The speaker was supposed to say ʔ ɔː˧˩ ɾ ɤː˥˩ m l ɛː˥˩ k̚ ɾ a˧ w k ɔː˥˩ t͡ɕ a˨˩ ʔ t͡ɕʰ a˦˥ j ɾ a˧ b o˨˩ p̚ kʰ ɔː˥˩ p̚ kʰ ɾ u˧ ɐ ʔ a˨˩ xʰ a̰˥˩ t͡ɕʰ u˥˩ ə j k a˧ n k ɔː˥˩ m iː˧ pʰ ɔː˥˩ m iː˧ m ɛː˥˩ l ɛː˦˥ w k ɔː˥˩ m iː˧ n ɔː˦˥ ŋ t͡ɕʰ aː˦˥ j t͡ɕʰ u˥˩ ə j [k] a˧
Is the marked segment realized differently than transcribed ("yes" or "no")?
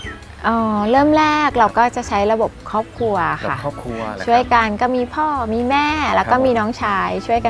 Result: no